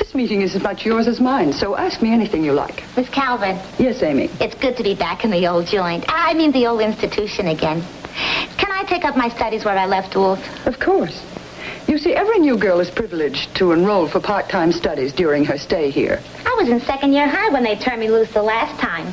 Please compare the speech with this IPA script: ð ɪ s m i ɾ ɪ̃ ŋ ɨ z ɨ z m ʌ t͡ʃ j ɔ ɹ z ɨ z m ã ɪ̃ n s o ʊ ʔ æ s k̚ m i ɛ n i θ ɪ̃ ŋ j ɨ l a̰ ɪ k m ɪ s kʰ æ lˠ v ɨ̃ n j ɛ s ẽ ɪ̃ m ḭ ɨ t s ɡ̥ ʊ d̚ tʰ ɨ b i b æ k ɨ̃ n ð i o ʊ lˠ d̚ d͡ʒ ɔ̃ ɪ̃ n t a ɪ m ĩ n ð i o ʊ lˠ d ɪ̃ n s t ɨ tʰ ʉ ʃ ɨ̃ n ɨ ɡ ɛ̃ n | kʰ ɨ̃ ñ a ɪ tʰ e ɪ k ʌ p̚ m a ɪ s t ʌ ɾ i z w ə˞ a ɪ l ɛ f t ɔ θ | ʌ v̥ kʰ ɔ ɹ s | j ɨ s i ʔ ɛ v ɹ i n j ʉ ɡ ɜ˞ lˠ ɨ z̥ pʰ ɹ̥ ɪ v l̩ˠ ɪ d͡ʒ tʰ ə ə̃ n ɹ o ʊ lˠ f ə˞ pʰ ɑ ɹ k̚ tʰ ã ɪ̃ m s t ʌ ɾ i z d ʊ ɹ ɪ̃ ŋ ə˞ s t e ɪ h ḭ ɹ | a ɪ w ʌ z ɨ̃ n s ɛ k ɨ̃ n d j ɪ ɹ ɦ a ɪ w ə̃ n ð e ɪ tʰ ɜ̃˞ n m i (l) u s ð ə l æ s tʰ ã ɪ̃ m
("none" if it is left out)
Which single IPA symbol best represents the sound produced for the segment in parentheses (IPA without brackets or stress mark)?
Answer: l